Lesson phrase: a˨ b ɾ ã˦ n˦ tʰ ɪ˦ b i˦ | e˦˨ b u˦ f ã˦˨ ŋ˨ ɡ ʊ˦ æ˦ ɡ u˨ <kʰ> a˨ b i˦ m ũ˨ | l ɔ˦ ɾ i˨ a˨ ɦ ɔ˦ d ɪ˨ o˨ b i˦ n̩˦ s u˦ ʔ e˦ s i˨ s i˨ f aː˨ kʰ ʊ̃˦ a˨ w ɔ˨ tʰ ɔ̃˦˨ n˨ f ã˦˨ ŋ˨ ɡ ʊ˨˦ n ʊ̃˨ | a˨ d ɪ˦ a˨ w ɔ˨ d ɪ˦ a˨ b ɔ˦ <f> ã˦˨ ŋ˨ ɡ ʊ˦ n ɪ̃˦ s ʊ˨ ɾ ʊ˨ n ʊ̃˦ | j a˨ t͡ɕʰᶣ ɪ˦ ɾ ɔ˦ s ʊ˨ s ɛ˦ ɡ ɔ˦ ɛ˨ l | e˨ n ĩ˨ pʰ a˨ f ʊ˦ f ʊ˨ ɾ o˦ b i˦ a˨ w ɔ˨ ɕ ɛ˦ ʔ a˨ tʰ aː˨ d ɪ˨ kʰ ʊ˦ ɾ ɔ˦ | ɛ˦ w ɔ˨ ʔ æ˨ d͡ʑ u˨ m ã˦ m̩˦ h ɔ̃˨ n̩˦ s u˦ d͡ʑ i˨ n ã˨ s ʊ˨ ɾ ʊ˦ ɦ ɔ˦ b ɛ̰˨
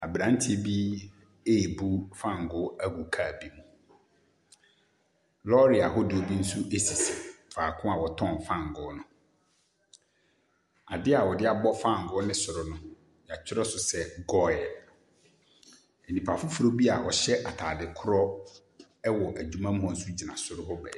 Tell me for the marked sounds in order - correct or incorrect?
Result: correct, correct

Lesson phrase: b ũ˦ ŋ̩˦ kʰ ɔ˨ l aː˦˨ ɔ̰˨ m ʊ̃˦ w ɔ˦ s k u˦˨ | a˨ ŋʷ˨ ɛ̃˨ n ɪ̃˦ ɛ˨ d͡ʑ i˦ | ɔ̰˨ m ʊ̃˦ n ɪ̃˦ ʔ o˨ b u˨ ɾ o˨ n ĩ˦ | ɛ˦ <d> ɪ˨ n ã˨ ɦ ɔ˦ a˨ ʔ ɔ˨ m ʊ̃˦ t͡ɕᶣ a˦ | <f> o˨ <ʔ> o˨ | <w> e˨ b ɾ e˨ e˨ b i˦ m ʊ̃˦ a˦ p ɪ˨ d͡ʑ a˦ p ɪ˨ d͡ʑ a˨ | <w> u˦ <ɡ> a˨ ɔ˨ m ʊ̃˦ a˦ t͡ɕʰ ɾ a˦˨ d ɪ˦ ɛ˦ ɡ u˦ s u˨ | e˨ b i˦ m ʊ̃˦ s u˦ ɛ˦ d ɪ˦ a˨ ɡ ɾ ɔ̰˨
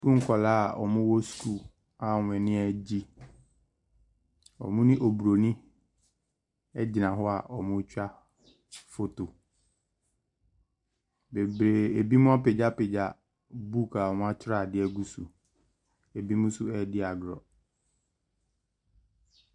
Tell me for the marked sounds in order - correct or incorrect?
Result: incorrect: d͡ʑ, correct, incorrect: t, incorrect: b, incorrect: b, incorrect: k

